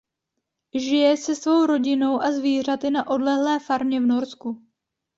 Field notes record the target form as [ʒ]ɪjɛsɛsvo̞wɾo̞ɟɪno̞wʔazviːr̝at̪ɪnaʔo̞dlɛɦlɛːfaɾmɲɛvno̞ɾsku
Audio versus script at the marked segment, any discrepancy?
no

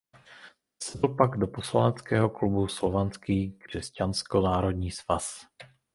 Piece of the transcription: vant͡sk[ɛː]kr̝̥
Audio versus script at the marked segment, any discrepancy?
yes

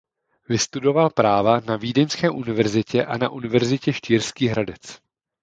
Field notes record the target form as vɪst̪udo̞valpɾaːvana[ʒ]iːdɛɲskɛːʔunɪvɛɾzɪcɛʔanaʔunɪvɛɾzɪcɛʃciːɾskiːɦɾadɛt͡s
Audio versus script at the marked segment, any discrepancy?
yes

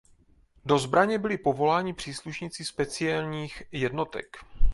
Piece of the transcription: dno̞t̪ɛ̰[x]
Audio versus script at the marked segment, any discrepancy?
yes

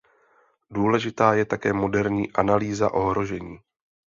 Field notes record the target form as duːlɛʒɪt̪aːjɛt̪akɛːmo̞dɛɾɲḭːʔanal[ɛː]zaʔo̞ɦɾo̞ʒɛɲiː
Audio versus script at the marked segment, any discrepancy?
yes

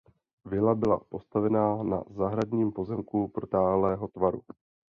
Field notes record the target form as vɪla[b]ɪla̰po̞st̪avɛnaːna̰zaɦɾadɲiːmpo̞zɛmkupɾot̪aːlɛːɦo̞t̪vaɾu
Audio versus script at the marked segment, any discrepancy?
no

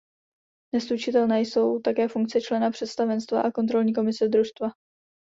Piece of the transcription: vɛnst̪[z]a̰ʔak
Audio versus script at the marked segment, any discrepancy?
yes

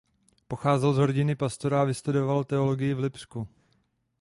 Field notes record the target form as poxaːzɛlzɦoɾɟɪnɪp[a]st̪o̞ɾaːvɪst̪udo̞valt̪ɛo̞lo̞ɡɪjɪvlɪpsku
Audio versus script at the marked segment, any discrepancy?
no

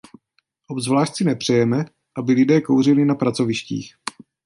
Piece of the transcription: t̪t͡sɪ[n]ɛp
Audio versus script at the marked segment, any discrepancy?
no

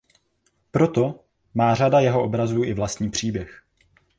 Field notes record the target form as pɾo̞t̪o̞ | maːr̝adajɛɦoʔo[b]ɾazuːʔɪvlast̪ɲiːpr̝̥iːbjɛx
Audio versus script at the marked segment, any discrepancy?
no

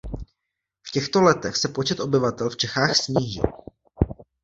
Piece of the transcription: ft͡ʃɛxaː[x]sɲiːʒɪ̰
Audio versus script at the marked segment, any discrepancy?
no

